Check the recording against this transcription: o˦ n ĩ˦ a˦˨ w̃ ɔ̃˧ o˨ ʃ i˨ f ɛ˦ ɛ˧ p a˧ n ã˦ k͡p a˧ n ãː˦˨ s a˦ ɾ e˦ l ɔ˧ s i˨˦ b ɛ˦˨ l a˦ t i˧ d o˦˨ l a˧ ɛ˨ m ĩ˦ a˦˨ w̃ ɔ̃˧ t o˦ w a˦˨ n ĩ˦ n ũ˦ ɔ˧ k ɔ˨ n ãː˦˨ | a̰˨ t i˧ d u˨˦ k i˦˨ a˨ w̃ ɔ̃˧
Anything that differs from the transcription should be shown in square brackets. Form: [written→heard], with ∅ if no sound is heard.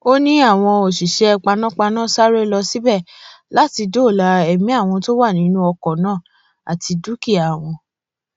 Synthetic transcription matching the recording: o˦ n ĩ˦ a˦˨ w̃ ɔ̃˧ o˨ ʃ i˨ [f→ʃ] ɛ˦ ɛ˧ [p→k͡p] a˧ n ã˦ k͡p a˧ n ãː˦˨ s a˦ ɾ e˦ l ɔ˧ s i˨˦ b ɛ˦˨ l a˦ t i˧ d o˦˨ l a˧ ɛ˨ m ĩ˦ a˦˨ w̃ ɔ̃˧ t o˦ w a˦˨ n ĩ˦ n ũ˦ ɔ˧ k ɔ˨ n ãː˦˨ | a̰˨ t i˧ d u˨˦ k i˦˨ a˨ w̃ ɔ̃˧